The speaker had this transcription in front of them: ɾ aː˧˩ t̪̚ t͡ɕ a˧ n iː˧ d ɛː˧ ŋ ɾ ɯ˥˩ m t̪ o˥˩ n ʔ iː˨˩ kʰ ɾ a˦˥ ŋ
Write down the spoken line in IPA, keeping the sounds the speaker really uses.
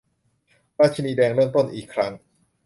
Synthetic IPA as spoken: ɾ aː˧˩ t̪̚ t͡ɕʰ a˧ n iː˧ d ɛː˧ ŋ ɾ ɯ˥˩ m t̪ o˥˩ n ʔ iː˨˩ kʰ ɾ a˦˥ ŋ